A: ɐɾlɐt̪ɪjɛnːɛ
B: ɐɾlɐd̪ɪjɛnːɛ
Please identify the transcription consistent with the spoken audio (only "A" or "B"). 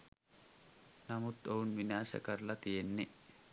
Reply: A